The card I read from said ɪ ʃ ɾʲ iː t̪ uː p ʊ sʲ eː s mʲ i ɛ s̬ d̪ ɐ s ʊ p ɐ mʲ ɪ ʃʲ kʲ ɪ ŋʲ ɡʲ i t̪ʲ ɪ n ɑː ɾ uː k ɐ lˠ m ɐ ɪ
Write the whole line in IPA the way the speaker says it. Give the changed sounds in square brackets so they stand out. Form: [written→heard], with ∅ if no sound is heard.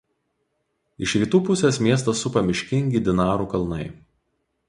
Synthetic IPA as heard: ɪ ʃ ɾʲ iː t̪ uː p ʊ sʲ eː s mʲ i ɛ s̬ [d̪→t̪] ɐ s ʊ p ɐ mʲ ɪ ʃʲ kʲ ɪ ŋʲ ɡʲ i [t̪ʲ→d̪ʲ] ɪ n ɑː ɾ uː k ɐ lˠ [m→n] ɐ ɪ